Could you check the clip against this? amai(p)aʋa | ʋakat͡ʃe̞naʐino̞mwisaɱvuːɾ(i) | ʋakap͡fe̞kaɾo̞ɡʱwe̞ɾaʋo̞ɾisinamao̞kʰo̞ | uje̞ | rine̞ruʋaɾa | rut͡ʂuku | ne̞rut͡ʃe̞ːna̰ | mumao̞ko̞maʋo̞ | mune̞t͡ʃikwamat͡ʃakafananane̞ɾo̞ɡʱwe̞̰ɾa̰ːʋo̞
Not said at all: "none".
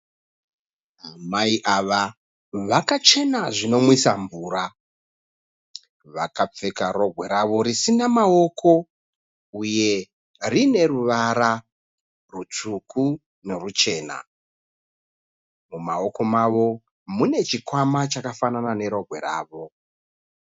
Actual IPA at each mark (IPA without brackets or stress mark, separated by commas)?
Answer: ʔ, a